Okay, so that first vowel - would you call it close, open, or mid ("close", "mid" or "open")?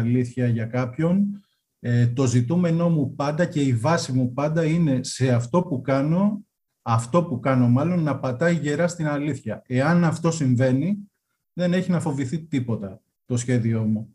close